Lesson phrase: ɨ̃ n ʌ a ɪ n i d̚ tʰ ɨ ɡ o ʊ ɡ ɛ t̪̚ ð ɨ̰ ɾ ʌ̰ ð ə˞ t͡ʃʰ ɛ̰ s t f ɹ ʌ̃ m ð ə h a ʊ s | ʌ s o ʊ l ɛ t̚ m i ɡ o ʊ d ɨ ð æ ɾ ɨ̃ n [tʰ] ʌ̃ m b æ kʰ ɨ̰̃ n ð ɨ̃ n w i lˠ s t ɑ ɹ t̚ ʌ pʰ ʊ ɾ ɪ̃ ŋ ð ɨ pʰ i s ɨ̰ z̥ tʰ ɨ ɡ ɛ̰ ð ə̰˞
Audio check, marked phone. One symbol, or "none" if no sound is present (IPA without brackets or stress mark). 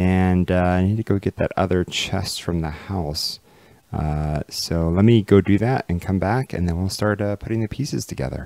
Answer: kʰ